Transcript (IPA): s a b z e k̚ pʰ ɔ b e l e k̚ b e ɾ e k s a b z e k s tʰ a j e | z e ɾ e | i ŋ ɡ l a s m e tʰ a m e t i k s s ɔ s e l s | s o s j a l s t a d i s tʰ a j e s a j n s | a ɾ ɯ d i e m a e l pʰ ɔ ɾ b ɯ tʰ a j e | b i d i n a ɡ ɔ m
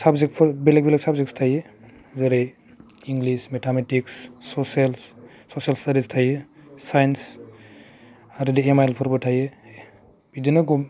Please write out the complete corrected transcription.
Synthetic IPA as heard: s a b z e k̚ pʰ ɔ b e l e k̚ b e l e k s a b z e k s tʰ a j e | z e ɾ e | i ŋ ɡ l i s m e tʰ a m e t i k s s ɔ s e l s | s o s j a l s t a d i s tʰ a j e s a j n s | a ɾ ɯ d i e m a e l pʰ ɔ ɾ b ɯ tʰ a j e | b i d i n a ɡ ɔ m

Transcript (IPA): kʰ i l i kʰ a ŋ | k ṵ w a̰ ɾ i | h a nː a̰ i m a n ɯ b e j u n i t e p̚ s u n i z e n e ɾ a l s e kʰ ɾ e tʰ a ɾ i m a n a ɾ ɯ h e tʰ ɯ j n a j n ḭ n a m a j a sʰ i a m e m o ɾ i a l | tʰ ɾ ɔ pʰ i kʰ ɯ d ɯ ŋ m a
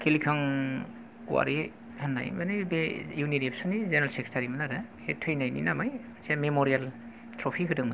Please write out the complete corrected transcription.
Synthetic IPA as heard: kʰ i l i kʰ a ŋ | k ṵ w a̰ ɾ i | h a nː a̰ j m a n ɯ b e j u n i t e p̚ s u n i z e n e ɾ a l s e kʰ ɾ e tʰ a ɾ i m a n a ɾ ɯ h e tʰ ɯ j n a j n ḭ n a m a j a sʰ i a m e m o ɾ i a l | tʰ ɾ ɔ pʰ i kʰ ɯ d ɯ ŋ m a

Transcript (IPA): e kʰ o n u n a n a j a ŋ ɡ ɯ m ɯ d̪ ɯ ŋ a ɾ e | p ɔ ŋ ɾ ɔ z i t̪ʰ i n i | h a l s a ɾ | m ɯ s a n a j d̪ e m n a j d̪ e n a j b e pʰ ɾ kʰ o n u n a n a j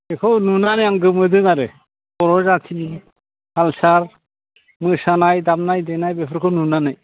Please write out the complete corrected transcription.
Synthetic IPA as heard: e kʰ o n u n a n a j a ŋ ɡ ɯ m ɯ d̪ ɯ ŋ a ɾ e | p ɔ ɾ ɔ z a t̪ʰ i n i | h a l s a ɾ | m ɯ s a n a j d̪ a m n a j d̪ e n a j b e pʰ ɾ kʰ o n u n a n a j

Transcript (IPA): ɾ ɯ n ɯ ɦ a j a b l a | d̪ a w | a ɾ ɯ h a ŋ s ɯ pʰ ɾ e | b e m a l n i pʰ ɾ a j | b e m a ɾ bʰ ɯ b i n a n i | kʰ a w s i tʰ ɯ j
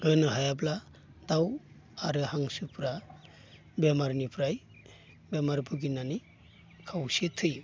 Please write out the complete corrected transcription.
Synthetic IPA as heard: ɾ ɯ n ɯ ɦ a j a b l a | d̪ a w | a ɾ ɯ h a ŋ s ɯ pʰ ɾ a | b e m a ɾ n i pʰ ɾ a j | b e m a ɾ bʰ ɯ ɡ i n a n i | kʰ a w s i tʰ ɯ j

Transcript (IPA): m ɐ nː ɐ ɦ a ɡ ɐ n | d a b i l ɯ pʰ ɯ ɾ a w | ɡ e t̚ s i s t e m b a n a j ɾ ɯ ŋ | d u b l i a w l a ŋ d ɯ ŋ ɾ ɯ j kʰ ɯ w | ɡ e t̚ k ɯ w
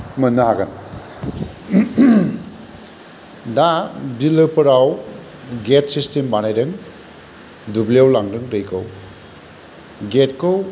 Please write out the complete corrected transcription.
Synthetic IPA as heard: m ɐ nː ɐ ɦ a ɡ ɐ n | d a b i l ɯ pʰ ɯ ɾ a w | ɡ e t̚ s i s t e m b a n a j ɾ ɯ ŋ | d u b l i a w l a ŋ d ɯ ŋ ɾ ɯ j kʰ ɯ w | ɡ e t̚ k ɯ w

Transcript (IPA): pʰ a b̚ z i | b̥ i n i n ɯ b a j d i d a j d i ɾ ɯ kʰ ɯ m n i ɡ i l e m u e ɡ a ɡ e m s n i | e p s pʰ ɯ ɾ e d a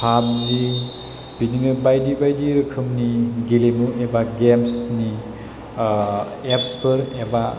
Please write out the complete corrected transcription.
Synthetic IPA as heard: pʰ a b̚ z i | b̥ i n i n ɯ b a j d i b a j d i ɾ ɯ kʰ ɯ m n i ɡ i l e m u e b a ɡ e m s n i | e p s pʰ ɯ ɾ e b a

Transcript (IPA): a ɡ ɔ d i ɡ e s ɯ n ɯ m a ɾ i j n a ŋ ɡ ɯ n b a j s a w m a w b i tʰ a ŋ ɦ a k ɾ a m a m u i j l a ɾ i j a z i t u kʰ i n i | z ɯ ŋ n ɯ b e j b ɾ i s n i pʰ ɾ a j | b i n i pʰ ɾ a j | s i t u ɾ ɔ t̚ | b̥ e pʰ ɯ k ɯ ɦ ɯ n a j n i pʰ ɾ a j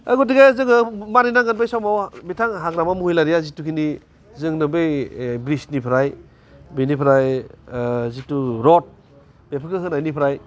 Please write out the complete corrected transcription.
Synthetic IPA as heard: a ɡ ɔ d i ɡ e z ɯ ŋ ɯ m a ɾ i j n a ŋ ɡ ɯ n b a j s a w m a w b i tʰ a ŋ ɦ a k ɾ a m a m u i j l a ɾ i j a z i t u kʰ i n i | z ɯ ŋ n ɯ b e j b ɾ i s n i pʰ ɾ a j | b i n i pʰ ɾ a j | z i t u ɾ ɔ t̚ | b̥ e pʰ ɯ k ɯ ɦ ɯ n a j n i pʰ ɾ a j

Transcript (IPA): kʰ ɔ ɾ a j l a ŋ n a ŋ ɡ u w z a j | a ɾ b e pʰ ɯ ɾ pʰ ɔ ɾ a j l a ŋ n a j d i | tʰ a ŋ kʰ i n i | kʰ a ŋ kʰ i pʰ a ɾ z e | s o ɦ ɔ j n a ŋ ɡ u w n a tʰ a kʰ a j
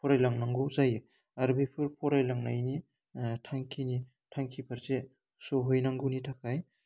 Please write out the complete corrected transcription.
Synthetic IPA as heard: pʰ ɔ ɾ a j l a ŋ n a ŋ ɡ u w z a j | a ɾ b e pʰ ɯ ɾ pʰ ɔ ɾ a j l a ŋ n a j n i | tʰ a ŋ kʰ i n i | tʰ a ŋ kʰ i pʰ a ɾ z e | s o ɦ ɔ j n a ŋ ɡ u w n i tʰ a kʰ a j

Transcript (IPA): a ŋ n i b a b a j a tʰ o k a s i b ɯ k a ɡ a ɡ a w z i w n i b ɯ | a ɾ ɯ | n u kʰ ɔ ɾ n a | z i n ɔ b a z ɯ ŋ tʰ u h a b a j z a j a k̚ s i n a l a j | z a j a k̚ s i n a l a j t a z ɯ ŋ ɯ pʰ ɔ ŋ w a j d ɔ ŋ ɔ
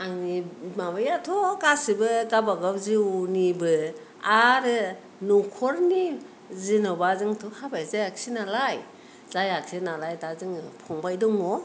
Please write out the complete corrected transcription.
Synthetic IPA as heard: a ŋ n i m a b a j a tʰ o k a s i b ɯ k a b a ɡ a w z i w n i b ɯ | a ɾ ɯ | n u kʰ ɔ ɾ n i | z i n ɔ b a z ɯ ŋ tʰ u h a b a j z a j a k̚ s i n a l a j | z a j a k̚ s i n a l a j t a z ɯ ŋ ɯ pʰ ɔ ŋ b a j d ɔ ŋ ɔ

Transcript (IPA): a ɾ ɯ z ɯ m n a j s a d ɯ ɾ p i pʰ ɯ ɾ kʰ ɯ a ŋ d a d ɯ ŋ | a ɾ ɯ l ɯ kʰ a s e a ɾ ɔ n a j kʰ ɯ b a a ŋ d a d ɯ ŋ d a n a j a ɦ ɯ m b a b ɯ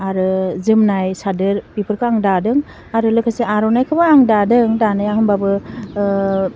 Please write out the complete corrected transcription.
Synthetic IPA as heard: a ɾ ɯ z ɯ m n a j s a d ɯ ɾ p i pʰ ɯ ɾ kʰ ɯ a ŋ d a d ɯ ŋ | a ɾ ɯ l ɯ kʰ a s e a ɾ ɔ n a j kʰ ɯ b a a ŋ d a d ɯ ŋ d a n a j a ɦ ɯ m b a b ɯ

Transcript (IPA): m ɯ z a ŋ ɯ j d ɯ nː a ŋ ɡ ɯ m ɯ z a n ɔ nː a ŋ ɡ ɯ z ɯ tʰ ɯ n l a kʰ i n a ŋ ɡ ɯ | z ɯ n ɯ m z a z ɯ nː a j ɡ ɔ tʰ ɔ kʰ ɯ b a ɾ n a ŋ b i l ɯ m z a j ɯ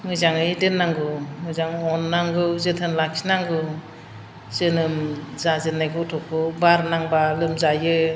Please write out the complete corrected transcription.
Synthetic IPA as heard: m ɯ z a ŋ ɯ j d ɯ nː a ŋ ɡ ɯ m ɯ z a ŋ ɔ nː a ŋ ɡ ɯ z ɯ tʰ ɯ n l a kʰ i n a ŋ ɡ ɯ | z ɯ n ɯ m z a z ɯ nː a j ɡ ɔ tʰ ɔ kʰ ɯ b a ɾ n a ŋ b a l ɯ m z a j ɯ

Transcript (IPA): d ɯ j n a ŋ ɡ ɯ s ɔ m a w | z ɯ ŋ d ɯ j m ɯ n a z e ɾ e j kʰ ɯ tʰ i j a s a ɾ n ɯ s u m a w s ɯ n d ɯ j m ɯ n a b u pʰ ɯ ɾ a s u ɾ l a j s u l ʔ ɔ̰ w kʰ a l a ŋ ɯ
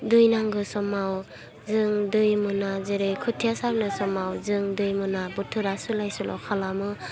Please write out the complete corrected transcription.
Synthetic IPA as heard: d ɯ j n a ŋ ɡ ɯ s ɔ m a w | z ɯ ŋ d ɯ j m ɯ n a z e ɾ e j kʰ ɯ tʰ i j a s a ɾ n ɯ s ɔ m a w z ɯ ŋ d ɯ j m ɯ n a b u tʰ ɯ ɾ a s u l a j s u l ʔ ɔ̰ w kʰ a l a m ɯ

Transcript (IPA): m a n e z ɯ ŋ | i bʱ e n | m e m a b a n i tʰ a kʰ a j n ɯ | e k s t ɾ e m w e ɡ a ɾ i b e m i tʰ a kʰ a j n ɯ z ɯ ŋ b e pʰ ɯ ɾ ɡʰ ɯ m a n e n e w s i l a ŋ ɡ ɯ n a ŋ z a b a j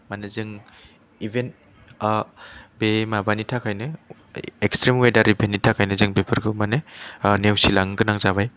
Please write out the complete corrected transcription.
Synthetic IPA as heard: m a n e z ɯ ŋ | i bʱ e n | b e m a b a n i tʰ a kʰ a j n ɯ | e k s t ɾ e m w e d a ɾ i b e n i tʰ a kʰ a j n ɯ z ɯ ŋ b e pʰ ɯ ɾ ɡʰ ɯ m a n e n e w s i l a ŋ ɡ ɯ n a ŋ z a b a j

